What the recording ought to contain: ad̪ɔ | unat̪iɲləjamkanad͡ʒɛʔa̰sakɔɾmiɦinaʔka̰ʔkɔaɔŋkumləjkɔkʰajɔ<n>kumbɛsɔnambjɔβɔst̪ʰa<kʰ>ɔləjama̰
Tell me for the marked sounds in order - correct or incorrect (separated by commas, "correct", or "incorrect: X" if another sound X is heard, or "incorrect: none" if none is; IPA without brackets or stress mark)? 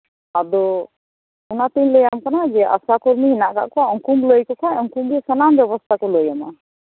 incorrect: ŋ, incorrect: k